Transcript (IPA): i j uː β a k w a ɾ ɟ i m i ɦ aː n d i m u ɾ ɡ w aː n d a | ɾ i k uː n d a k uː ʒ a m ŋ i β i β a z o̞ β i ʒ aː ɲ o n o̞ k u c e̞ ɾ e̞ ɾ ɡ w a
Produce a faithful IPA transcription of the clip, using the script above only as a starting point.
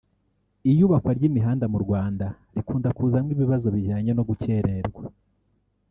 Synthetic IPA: i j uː β a k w a ɾ ɟ i m i ɦ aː n d a m u ɾ ɡ w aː n d a | ɾ i k uː n d a k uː z a m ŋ i β i β a z o̞ β i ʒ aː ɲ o n o̞ ɡ u c e̞ ɾ e̞ ɾ ɡ w a